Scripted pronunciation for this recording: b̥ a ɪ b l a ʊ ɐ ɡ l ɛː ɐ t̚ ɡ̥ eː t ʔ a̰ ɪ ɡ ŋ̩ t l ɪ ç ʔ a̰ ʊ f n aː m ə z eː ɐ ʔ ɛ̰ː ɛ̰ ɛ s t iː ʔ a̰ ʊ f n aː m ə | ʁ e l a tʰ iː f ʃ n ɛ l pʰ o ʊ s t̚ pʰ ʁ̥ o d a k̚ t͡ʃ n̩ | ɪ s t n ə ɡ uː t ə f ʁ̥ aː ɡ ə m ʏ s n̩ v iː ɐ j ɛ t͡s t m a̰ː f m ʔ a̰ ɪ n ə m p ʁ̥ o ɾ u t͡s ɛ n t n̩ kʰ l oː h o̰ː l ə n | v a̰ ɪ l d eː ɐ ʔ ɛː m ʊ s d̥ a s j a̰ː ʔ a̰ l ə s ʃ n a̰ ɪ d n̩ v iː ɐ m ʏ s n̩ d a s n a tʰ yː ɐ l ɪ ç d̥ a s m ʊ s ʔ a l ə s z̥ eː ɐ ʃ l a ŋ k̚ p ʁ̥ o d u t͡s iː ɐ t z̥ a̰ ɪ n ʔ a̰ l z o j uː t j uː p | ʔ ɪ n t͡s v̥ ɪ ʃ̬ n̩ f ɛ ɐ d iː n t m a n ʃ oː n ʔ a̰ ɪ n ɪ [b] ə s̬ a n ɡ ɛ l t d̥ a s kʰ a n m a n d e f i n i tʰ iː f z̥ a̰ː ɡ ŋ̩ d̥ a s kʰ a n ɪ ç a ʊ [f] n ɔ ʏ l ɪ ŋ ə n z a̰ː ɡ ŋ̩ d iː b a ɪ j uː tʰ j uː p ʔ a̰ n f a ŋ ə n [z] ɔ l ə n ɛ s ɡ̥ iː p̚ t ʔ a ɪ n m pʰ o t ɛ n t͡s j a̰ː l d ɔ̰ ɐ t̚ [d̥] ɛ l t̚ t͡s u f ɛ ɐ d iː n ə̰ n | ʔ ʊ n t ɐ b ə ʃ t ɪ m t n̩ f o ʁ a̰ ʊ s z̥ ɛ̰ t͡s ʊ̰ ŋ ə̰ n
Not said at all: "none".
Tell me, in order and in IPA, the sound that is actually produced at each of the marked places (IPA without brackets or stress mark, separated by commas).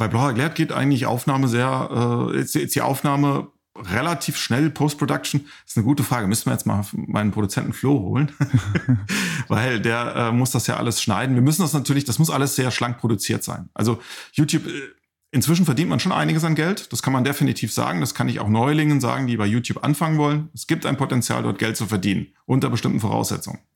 ɡ, x, v, ɡ̥